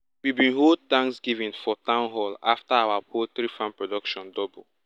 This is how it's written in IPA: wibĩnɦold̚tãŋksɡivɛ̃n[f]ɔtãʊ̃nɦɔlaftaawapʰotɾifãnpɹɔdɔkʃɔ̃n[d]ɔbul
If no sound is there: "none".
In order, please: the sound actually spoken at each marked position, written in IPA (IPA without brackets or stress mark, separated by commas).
f, d